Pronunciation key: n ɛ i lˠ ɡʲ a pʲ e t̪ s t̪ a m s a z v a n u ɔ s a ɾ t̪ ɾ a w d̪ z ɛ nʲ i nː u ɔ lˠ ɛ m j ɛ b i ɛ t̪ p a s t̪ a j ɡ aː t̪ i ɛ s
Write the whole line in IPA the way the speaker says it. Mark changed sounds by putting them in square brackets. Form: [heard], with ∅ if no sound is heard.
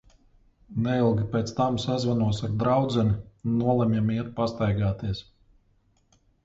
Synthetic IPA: n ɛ i lˠ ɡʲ [i] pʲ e t̪ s t̪ a m s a z v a n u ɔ s a ɾ [d̪] ɾ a w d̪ z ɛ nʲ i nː u ɔ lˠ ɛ m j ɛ [m] i ɛ t̪ p a s t̪ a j ɡ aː t̪ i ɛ s